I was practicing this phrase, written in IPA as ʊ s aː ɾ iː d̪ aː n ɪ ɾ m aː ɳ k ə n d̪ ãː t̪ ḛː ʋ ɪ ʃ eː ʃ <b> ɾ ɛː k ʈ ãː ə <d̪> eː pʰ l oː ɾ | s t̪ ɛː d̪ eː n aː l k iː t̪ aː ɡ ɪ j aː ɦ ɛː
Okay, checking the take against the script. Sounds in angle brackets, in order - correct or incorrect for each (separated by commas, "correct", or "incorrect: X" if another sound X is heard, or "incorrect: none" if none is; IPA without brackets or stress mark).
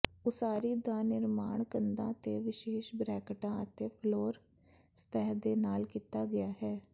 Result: correct, incorrect: t̪